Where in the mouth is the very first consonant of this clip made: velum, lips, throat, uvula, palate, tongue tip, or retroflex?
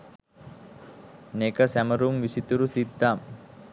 tongue tip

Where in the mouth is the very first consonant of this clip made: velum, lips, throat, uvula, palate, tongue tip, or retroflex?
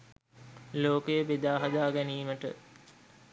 tongue tip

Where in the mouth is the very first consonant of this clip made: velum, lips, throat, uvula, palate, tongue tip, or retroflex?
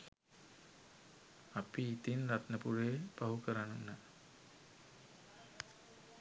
lips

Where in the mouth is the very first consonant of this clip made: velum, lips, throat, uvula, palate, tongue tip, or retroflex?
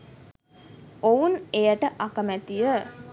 tongue tip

